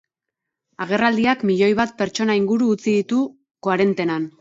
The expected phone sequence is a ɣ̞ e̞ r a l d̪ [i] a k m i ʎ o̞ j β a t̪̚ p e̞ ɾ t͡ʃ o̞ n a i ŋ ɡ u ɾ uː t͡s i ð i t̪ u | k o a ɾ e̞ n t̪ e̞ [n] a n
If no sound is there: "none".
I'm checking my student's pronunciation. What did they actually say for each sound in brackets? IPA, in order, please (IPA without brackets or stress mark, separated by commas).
i, n